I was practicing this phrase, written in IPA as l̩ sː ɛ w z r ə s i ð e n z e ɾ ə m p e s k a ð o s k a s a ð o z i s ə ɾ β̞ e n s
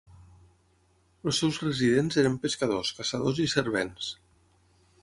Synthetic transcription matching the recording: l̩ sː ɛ w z r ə z i ð e n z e ɾ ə m p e s k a ð o s k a s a ð o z i s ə ɾ β̞ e n s

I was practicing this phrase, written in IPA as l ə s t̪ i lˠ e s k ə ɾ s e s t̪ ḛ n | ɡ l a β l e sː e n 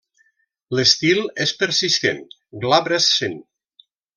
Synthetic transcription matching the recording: l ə s t̪ i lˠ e s p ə ɾ s i s t̪ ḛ n | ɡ l a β ɾ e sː e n

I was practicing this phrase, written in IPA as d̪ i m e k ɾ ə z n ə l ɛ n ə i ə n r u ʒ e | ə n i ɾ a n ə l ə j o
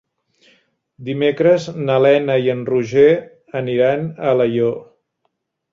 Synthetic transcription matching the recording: d̪ i m e k ɾ ə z n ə l ɛ n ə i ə n r u ʒ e | ə n i ɾ a n ə l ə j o

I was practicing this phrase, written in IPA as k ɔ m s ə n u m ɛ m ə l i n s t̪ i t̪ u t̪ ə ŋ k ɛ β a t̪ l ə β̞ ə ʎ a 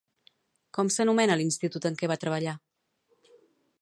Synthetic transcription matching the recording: k ɔ m s ə n u m ɛ n ə l i n s t̪ i t̪ u t̪ ə ŋ k ɛ β a t̪ ɾ ə β̞ ə ʎ a

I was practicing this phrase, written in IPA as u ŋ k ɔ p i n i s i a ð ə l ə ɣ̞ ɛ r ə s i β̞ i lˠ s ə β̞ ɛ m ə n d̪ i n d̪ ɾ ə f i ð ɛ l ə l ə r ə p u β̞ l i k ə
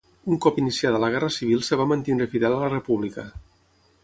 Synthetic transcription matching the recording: u ŋ k ɔ p i n i s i a ð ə l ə ɣ̞ ɛ r ə s i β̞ i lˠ s ə β̞ a m ə n t̪ i n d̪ ɾ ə f i ð ɛ l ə l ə r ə p u β̞ l i k ə

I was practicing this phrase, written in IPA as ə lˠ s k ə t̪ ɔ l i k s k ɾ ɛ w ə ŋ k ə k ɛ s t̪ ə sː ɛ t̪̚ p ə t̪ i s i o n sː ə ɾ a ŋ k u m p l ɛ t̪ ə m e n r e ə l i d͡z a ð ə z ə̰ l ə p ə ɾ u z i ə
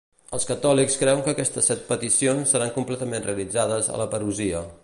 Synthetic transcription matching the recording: ə lˠ s k ə t̪ ɔ l i k s k ɾ ɛ w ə ŋ k ə k ɛ s t̪ ə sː ɛ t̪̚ p ə t̪ i s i o n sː ə ɾ a ŋ k u m p l ɛ t̪ ə m e n r e ə l i d͡z a ð ə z ə̰ l ə p ə ɾ u z i ə

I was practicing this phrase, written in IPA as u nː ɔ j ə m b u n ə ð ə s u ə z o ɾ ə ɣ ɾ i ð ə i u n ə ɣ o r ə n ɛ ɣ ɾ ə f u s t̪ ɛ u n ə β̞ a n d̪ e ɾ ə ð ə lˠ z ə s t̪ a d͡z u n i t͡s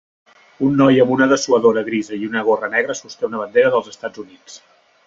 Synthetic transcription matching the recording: u nː ɔ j ə m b u n ə ð ə s u ə ð o ɾ ə ɣ ɾ i z ə i u n ə ɣ o r ə n ɛ ɣ ɾ ə s u s t̪ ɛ u n ə β̞ ə n d̪ e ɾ ə ð ə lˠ z ə s t̪ a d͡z u n i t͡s

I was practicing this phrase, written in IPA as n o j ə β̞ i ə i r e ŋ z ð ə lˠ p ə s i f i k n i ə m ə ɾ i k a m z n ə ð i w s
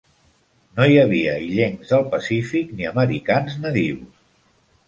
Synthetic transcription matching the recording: n o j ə β̞ i ə i ʎ e ŋ z ð ə lˠ p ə s i f i k n i ə m ə ɾ i k a n z n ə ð i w s

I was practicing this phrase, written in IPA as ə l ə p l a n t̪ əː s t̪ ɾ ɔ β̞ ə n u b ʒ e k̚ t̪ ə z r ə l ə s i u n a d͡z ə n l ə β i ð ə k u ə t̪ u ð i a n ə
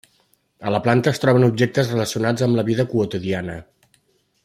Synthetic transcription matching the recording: ə l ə p l a n t̪ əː s t̪ ɾ ɔ β̞ ə n u b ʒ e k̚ t̪ ə z r ə l ə s i u n a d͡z ə m l ə β i ð ə k u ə t̪ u ð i a n ə

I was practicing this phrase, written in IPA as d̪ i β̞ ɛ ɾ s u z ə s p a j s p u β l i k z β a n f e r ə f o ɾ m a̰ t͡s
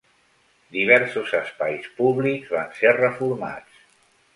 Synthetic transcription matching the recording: d̪ i β̞ ɛ ɾ s u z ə s p a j s p u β l i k z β a n s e r ə f u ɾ m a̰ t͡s

